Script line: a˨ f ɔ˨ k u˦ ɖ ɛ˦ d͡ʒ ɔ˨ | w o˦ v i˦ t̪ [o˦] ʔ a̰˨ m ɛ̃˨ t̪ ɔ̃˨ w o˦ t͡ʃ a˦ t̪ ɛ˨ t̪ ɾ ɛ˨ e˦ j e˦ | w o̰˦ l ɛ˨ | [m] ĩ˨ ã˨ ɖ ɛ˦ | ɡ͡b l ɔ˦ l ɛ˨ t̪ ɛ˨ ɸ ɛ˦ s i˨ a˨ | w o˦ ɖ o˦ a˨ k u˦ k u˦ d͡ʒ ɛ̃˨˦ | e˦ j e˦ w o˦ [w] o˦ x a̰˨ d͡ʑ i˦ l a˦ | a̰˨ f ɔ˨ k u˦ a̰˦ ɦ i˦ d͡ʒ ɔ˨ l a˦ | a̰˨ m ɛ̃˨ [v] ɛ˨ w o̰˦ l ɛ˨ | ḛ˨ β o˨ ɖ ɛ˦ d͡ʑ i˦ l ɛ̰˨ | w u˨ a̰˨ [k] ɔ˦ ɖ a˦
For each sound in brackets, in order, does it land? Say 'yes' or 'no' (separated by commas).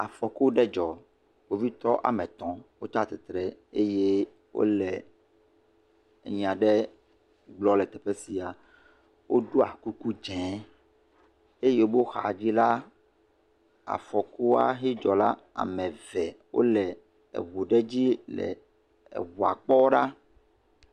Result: no, no, no, yes, no